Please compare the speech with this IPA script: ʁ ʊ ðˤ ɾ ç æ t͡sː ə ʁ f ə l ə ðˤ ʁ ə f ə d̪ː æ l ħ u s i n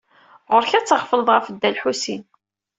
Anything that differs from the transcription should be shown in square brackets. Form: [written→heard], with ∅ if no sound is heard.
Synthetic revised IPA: ʁ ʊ [ðˤ→∅] ɾ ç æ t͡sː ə ʁ f ə l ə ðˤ ʁ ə f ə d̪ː æ l ħ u s i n